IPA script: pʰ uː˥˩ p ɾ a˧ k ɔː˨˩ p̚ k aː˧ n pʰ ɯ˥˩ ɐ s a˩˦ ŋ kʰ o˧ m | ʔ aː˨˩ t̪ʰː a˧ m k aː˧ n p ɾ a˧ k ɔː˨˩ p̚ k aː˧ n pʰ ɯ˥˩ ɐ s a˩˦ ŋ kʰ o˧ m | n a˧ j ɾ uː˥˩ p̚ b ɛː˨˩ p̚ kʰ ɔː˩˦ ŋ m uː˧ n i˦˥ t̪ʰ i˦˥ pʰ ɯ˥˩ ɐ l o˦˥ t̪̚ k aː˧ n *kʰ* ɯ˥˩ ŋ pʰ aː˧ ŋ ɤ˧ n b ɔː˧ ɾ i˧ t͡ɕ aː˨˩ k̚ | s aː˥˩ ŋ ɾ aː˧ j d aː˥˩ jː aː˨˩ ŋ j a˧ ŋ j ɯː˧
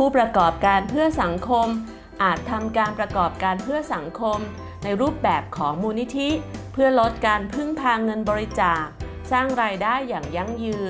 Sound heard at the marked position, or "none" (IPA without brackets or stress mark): pʰ